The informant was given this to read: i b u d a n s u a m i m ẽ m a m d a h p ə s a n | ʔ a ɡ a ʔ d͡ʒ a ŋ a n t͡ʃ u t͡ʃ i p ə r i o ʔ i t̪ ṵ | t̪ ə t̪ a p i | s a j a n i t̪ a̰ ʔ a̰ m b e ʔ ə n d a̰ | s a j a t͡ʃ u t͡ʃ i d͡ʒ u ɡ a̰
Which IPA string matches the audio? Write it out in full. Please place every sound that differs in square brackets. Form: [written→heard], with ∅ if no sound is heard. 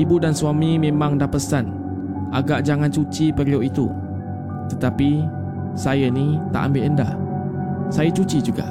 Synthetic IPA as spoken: i b u d a n s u a m i m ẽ m a [m→ŋ] d a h p ə s a n | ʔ a ɡ a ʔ d͡ʒ a ŋ a n t͡ʃ u t͡ʃ i p ə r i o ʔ i t̪ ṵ | t̪ ə t̪ a p i | s a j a n i t̪ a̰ ʔ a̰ m b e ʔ ə n d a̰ | s a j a t͡ʃ u t͡ʃ i d͡ʒ u ɡ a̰